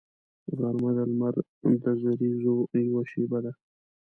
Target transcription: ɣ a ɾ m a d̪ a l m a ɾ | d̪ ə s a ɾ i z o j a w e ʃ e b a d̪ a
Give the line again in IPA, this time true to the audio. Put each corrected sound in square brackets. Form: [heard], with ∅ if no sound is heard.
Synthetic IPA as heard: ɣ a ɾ m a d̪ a l m a ɾ | d̪ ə [z] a ɾ i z o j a w [a] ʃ e b a d̪ a